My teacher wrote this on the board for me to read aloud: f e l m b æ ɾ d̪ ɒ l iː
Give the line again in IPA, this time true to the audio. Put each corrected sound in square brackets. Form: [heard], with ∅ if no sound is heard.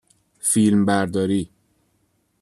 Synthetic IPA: f [i] l m b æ ɾ d̪ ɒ [ɾ] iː